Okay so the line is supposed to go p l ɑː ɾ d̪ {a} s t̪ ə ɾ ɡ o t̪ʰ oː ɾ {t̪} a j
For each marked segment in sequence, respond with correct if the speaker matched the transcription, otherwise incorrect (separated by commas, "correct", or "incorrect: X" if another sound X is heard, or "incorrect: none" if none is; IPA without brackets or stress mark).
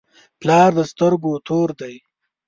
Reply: incorrect: ə, incorrect: d̪